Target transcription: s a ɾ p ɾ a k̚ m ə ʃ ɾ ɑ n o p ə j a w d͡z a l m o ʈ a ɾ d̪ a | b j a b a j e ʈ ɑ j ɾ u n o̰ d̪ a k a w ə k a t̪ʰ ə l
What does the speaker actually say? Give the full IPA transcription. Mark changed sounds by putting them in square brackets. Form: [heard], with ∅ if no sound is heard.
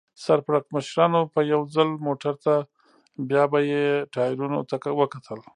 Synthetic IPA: s a ɾ p ɾ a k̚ m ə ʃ ɾ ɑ n o p ə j a w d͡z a l m o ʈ a ɾ [t̪] a | b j [ɑ] b a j e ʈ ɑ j ɾ u n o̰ [t̪] a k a w ə k a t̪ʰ ə l